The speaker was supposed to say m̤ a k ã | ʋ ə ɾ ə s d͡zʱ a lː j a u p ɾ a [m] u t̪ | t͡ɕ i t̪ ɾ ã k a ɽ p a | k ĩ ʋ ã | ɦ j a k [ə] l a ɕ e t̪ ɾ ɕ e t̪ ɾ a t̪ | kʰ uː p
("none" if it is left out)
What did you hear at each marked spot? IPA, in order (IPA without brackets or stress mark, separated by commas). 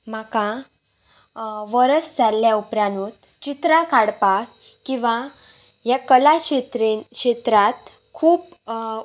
n, ə